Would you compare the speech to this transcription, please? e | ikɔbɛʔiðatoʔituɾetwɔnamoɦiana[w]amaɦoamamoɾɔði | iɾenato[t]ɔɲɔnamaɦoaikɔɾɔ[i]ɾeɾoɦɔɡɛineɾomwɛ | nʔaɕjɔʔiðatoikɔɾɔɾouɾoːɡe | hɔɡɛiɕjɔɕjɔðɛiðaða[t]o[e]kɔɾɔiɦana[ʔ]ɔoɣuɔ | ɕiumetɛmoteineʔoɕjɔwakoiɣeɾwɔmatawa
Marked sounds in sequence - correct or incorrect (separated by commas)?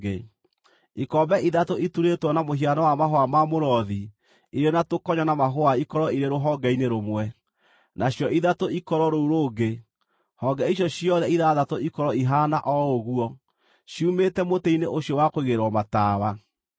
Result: correct, incorrect, correct, correct, incorrect, correct